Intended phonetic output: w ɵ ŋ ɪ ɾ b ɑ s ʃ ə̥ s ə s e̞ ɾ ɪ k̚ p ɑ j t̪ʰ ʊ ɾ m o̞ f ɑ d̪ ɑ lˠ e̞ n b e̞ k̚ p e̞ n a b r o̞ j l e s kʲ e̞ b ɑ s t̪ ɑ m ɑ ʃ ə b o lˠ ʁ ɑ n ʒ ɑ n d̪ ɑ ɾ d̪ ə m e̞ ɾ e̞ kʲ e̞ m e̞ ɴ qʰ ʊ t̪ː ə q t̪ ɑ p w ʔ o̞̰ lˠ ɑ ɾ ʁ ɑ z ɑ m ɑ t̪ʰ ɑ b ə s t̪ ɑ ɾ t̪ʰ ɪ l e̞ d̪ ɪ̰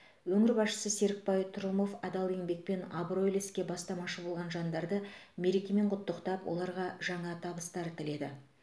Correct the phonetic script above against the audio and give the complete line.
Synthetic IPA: w ɵ ŋ ɪ ɾ b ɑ s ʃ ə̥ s ə s e̞ ɾ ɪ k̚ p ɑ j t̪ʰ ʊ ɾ m o̞ f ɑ d̪ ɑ lˠ e̞ ŋ b e̞ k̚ p e̞ n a b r o̞ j l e s kʲ e̞ b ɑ s t̪ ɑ m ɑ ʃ ə b o lˠ ʁ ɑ n ʒ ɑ n d̪ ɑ ɾ d̪ ə m e̞ ɾ e̞ kʲ e̞ m e̞ ɴ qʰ ʊ t̪ː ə q t̪ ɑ p w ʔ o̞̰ lˠ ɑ ɾ ʁ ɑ ʒ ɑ ɴ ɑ t̪ʰ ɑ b ə s t̪ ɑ ɾ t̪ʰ ɪ l e̞ d̪ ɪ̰